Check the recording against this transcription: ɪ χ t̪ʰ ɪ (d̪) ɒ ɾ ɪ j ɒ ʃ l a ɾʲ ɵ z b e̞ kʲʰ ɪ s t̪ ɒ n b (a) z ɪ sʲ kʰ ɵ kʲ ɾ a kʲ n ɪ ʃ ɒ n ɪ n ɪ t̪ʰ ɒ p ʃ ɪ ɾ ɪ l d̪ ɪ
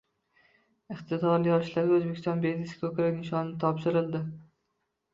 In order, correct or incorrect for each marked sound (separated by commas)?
correct, incorrect